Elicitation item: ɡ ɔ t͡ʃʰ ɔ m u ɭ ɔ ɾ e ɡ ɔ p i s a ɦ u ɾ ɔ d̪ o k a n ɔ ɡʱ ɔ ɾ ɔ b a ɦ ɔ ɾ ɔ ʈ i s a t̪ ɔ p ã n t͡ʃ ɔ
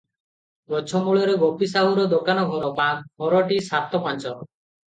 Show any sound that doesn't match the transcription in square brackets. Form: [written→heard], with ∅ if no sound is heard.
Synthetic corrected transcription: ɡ ɔ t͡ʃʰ ɔ m u ɭ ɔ ɾ e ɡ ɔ p i s a ɦ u ɾ ɔ d̪ o k a n ɔ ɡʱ ɔ ɾ ɔ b a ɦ ɔ ɾ ɔ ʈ i s a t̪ ɔ p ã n t͡ʃ ɔ